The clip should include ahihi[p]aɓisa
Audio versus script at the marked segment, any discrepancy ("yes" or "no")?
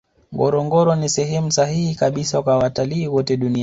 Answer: yes